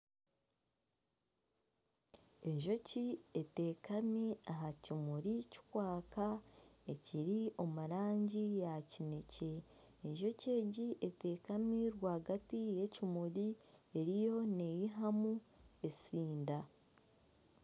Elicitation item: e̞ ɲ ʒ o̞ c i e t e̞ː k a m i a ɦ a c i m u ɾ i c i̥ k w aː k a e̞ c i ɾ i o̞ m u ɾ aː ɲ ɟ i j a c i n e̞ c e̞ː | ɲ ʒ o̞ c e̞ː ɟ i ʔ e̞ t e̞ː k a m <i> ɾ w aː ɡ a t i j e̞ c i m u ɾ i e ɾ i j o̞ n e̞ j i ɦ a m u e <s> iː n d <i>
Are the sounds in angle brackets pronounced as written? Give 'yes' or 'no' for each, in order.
yes, yes, no

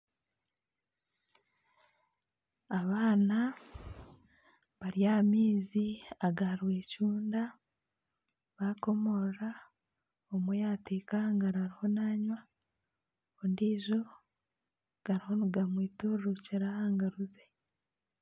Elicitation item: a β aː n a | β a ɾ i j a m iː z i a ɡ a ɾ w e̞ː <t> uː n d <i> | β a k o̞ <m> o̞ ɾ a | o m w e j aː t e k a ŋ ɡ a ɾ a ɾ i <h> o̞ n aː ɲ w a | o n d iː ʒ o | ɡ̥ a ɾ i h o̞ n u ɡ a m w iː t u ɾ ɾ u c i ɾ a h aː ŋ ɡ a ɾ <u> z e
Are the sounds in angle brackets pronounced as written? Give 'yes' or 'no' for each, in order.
no, no, yes, yes, yes

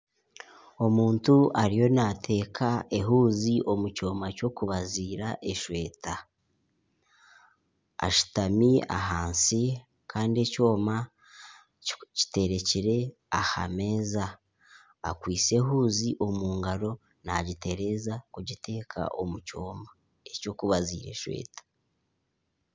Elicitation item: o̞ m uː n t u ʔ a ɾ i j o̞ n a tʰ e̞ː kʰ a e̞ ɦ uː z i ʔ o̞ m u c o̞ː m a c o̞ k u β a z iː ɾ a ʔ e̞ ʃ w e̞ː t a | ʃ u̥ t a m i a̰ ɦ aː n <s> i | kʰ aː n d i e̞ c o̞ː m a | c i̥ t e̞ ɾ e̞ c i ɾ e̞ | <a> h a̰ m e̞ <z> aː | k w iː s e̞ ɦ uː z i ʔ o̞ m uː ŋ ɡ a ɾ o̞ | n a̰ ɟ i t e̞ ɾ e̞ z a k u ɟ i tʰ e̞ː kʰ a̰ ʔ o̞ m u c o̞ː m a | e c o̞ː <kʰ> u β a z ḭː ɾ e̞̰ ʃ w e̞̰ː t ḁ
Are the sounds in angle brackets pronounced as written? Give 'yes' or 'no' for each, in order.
yes, yes, yes, no

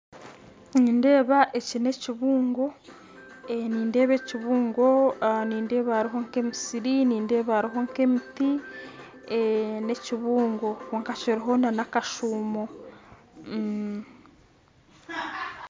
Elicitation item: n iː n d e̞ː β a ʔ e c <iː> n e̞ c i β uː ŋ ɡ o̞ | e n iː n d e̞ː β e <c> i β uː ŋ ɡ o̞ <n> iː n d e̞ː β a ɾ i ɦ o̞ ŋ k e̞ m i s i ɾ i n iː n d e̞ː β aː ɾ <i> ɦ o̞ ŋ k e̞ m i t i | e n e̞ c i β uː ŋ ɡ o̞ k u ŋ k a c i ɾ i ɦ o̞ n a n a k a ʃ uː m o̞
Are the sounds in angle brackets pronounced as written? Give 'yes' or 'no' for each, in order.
no, yes, yes, yes

